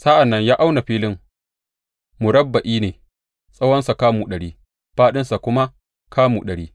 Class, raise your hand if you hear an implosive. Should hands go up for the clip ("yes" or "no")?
yes